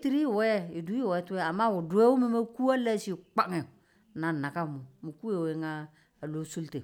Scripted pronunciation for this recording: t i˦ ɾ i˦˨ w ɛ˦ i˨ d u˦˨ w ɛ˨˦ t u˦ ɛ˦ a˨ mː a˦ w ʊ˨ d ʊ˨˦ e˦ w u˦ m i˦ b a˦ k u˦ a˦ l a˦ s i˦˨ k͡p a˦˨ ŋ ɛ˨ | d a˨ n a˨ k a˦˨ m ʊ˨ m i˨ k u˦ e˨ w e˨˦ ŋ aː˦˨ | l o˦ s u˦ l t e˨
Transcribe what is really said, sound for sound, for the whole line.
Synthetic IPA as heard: t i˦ ɾ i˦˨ w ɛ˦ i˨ d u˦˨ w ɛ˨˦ t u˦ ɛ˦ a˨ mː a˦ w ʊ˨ d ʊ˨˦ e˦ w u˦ m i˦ m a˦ k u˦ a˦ l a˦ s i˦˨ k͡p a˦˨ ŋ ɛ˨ | n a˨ n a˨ k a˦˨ m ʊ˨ m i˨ k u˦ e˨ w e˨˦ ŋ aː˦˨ | l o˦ s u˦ l t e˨